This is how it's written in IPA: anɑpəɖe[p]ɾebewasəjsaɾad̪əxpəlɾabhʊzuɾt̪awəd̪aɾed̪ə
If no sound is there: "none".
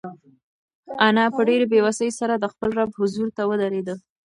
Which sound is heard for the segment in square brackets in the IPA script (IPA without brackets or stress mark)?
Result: none